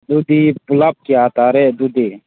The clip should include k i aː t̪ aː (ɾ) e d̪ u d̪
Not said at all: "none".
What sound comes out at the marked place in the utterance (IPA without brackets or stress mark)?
ɾ